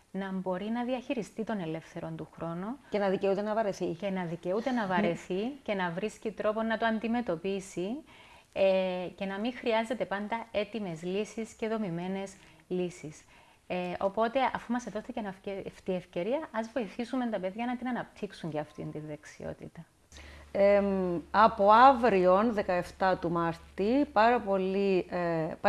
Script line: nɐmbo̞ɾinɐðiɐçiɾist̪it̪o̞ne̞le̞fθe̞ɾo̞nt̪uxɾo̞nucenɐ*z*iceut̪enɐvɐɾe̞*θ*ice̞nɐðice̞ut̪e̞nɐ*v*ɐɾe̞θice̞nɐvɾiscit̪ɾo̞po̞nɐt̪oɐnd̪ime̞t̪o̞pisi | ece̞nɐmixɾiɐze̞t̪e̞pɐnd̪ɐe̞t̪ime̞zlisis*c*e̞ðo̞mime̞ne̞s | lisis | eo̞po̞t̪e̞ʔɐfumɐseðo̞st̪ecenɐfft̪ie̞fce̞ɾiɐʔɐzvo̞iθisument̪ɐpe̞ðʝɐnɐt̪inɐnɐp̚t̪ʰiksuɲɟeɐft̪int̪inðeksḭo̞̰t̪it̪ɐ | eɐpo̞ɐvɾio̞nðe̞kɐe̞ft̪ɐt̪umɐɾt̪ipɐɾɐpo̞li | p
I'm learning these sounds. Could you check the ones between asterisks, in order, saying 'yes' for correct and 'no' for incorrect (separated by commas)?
no, yes, yes, yes